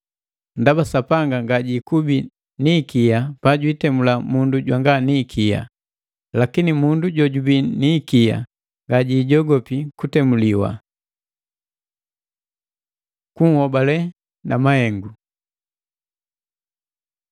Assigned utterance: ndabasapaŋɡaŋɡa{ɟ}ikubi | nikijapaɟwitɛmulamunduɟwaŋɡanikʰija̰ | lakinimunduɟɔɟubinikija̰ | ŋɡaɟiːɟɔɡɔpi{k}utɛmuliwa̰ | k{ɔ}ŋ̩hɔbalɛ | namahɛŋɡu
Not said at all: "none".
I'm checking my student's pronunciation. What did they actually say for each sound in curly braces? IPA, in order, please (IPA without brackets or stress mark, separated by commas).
ɟ, k, u